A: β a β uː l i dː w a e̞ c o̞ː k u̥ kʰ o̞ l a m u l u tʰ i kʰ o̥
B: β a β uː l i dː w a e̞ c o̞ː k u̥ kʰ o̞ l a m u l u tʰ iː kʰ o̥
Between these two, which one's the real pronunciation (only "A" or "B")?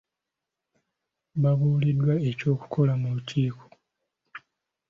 B